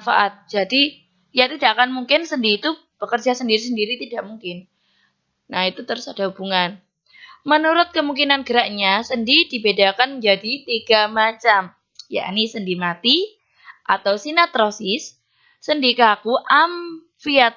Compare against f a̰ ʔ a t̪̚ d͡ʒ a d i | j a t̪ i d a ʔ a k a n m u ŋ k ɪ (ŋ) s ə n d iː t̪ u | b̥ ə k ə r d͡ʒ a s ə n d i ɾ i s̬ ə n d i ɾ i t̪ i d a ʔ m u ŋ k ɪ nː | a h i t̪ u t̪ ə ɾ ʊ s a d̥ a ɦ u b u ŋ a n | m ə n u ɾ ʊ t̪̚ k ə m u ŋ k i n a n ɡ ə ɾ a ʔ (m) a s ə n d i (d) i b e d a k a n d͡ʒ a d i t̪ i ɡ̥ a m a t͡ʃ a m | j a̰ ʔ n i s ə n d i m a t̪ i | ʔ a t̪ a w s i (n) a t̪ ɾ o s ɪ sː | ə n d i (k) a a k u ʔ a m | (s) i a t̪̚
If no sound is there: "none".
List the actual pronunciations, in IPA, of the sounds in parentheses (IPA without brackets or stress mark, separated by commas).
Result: n, ɲ, d, n, k, f